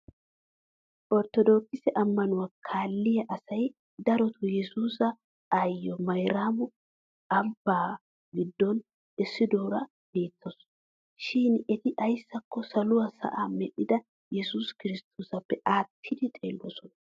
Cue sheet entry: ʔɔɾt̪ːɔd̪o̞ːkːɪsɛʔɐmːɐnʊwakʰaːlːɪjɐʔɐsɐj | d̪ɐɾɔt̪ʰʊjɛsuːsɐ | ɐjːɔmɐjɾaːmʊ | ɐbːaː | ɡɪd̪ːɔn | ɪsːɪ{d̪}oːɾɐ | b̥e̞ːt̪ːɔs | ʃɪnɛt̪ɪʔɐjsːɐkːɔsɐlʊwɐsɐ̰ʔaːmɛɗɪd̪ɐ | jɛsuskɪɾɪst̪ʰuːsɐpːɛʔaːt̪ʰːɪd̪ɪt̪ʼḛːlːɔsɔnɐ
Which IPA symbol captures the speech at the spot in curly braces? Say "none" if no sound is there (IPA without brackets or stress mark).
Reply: d̪